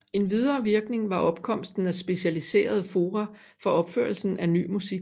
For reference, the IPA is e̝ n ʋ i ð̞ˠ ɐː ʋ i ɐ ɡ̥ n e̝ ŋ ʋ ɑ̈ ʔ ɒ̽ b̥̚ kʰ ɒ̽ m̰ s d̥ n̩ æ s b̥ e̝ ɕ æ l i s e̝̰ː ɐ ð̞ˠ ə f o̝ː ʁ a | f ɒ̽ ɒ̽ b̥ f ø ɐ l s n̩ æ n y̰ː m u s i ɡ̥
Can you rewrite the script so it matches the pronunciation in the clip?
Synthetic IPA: e̝ n ʋ i ð̞ˠ ɐː ʋ i ɐ ɡ̥ n e̝ ŋ ʋ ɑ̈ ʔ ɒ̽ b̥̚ kʰ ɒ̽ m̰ s d̥ n̩ æ s b̥ e̝ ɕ æ l i s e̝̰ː ɐ ð̞ˠ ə f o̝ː ʁ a | f ɒ̽ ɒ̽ b̥ f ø ɐ l s n̩ æ n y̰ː m u s i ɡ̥